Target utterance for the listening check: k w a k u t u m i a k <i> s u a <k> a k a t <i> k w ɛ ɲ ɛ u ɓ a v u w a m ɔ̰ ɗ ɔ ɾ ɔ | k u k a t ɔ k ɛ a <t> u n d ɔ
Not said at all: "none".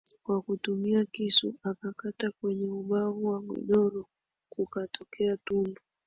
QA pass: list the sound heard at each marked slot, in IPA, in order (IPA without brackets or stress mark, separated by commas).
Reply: i, k, a, t